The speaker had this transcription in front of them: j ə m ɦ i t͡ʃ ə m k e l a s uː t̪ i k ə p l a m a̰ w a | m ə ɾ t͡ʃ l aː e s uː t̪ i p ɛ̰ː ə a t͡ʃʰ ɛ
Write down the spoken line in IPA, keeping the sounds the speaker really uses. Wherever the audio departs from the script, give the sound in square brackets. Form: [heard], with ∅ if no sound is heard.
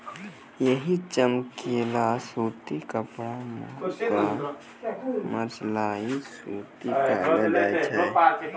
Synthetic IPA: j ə [∅] ɦ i t͡ʃ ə m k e l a s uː t̪ i k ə p [ɽ] a m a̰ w a | m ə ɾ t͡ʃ l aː [i] s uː t̪ i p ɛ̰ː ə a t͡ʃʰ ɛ